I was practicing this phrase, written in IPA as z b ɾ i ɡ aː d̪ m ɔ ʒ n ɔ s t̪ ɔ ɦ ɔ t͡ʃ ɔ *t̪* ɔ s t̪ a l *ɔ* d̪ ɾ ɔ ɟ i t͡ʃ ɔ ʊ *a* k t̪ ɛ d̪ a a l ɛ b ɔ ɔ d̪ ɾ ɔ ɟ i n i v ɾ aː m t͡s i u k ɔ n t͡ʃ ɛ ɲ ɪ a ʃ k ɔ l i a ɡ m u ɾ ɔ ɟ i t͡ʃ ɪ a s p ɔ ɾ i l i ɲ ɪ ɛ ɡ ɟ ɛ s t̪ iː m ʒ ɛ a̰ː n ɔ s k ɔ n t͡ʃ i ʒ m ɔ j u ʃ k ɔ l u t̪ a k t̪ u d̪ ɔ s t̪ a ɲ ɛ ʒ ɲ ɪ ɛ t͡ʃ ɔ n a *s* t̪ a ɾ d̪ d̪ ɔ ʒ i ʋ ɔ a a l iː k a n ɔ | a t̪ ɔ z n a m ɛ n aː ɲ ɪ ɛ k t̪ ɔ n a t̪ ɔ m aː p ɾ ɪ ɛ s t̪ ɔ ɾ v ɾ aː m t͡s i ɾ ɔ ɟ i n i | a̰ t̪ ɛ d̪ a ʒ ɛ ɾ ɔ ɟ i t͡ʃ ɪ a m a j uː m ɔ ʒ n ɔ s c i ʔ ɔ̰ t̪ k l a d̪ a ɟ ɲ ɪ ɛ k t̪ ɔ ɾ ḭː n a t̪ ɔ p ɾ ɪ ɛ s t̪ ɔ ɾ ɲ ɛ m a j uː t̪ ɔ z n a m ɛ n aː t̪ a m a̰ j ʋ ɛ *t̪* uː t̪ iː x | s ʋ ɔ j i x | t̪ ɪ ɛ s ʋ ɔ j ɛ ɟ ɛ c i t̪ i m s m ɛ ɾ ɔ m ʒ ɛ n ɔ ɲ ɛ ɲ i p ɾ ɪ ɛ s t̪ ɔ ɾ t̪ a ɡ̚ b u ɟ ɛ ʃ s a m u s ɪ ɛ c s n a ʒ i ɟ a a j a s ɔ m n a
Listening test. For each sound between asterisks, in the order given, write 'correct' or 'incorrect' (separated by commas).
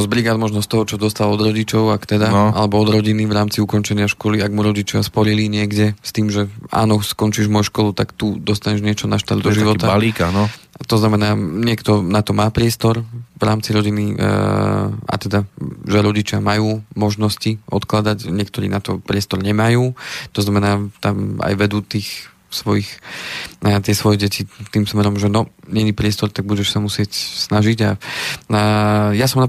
incorrect, correct, correct, incorrect, incorrect